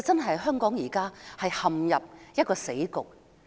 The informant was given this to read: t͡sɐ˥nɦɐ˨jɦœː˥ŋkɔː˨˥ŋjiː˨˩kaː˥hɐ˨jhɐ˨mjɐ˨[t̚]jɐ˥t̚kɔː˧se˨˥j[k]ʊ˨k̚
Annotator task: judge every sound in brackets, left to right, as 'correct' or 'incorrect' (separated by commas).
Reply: incorrect, correct